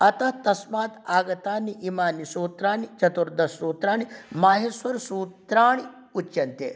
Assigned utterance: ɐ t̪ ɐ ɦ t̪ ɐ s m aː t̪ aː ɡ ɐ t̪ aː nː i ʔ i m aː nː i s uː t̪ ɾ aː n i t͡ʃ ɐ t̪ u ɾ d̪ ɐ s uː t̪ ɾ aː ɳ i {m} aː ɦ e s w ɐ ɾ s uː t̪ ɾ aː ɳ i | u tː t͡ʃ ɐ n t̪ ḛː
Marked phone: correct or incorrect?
correct